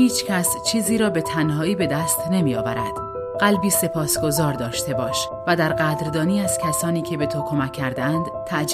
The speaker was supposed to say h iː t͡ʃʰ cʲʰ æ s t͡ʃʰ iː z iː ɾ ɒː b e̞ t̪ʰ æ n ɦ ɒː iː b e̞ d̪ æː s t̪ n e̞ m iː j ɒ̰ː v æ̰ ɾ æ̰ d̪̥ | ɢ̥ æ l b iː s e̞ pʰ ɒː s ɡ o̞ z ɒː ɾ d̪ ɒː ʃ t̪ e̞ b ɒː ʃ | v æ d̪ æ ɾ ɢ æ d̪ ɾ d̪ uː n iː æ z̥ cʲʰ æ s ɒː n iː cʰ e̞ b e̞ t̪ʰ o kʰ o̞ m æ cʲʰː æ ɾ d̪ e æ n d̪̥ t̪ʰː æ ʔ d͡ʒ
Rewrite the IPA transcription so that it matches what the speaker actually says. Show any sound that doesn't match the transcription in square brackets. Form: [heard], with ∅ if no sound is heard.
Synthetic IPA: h iː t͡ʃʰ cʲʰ æ s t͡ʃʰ iː z iː ɾ ɒː b e̞ t̪ʰ æ n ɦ ɒː iː b e̞ d̪ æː s t̪ n e̞ m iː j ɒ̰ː v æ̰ ɾ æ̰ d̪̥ | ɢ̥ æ l b iː s e̞ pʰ ɒː s ɡ o̞ z ɒː ɾ d̪ ɒː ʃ t̪ e̞ b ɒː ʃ | v æ d̪ æ ɾ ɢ æ d̪ ɾ d̪ [ɒː] n iː æ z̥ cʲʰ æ s ɒː n iː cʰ e̞ b e̞ t̪ʰ o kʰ o̞ m æ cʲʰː æ ɾ d̪ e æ n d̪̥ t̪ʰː æ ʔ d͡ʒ